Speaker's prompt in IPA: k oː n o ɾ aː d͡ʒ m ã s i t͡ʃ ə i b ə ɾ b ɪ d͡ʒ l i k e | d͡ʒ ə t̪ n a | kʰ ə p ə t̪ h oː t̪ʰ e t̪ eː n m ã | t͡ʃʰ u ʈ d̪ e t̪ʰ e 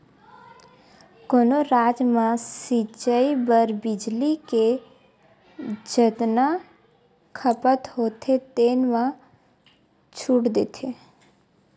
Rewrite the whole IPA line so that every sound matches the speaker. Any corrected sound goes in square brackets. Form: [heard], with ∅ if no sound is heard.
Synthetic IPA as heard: k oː n o ɾ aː d͡ʒ m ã s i t͡ʃ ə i b ə ɾ b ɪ d͡ʒ l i k e | d͡ʒ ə t̪ n a | kʰ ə p ə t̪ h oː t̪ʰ e t̪ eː n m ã | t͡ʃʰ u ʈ d̪ e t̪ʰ e